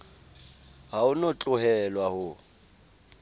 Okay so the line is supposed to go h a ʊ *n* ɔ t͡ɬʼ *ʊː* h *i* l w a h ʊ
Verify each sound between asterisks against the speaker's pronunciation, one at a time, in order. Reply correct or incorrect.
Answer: correct, incorrect: ʊ, incorrect: ɛ

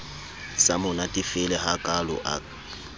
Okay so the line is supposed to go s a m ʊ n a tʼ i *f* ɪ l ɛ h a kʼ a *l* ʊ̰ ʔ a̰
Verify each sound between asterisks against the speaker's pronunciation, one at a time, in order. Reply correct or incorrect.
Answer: correct, correct

